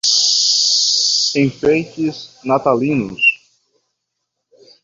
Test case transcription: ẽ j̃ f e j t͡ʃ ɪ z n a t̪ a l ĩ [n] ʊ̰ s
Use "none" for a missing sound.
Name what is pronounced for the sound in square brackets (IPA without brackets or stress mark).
n